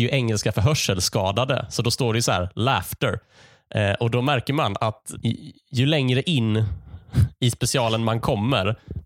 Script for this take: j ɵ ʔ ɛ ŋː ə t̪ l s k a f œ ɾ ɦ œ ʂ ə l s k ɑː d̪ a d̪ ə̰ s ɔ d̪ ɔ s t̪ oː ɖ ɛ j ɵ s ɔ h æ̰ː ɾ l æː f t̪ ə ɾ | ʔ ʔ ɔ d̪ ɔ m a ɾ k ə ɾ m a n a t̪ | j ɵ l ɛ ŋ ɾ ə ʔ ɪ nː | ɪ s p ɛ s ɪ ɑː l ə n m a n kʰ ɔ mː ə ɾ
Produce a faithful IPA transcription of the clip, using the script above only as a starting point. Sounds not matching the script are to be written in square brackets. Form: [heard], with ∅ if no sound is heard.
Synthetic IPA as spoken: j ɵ ʔ ɛ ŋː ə [∅] l s k a f œ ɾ ɦ œ ʂ ə l s k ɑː d̪ a d̪ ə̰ s ɔ d̪ ɔ s t̪ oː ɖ ɛ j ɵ s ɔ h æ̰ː ɾ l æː f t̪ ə ɾ | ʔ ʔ ɔ d̪ ɔ m [æ] ɾ k ə ɾ m a n a t̪ | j ɵ l ɛ ŋ ɾ ə ʔ ɪ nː | ɪ s p ɛ s ɪ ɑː l ə n m a n kʰ ɔ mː ə ɾ